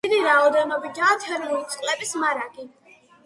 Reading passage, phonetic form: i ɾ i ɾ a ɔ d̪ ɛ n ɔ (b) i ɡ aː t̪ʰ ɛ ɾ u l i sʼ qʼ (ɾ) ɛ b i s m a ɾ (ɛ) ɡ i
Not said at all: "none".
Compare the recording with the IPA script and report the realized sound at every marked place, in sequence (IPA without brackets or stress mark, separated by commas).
b, l, a